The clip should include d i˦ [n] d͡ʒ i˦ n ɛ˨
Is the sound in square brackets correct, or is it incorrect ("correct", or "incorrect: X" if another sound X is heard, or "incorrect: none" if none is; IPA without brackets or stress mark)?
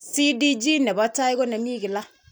incorrect: none